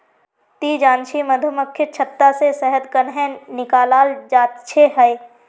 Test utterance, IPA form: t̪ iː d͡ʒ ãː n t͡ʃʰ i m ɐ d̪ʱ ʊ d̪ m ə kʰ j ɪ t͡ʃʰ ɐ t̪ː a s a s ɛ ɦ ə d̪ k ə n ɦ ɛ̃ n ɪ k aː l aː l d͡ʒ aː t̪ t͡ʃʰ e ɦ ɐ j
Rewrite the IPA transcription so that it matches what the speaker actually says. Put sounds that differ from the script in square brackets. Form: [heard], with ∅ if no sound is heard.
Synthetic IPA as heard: t̪ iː d͡ʒ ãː n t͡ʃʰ i m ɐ d̪ʱ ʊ [∅] m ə kʰ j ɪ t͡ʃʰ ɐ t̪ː a s [e] s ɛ ɦ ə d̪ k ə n ɦ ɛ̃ n ɪ k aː l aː l d͡ʒ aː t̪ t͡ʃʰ e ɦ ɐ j